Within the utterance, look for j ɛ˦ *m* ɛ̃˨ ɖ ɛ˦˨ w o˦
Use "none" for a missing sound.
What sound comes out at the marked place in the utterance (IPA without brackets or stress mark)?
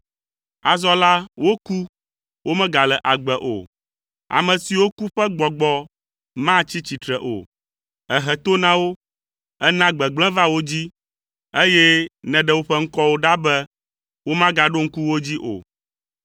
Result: n